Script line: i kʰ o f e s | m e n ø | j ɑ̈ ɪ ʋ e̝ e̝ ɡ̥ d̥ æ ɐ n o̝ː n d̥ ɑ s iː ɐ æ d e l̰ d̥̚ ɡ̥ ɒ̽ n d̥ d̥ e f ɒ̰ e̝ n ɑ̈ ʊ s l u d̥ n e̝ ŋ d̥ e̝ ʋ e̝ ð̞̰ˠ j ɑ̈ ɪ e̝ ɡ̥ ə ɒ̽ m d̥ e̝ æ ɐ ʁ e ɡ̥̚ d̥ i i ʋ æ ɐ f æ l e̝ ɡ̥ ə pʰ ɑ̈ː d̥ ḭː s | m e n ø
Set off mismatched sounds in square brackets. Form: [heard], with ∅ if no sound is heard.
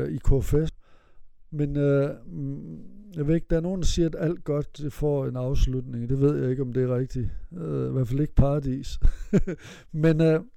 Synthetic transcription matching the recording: i kʰ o f e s | m e n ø | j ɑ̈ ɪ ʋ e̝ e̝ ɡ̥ d̥ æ ɐ n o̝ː n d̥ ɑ s iː ɐ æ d [æ] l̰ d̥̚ ɡ̥ ɒ̽ [∅] d̥ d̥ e f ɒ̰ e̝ n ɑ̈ ʊ s l u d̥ n e̝ ŋ d̥ e̝ ʋ e̝ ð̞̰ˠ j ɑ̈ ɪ e̝ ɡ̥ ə ɒ̽ m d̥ e̝ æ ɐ ʁ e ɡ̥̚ d̥ i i ʋ æ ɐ f æ l e̝ ɡ̥ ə pʰ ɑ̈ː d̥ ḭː s | m e n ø